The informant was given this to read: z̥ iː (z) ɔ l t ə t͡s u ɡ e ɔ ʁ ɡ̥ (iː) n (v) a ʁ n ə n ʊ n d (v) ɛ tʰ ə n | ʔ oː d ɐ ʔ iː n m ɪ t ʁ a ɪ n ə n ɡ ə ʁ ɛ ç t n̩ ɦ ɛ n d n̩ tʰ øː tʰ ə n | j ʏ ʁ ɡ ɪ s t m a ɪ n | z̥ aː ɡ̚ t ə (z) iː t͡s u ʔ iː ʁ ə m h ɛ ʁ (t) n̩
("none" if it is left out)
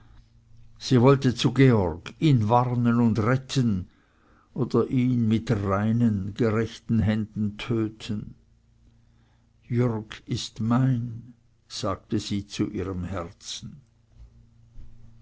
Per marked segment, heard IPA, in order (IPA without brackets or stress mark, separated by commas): v, iː, v, ʁ, z, t͡s